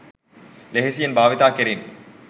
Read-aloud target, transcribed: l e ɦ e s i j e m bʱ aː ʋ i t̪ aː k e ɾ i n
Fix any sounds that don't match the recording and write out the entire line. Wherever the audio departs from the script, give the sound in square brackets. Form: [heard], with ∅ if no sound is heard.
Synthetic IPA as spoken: l e ɦ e s i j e [n] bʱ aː ʋ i t̪ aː k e ɾ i n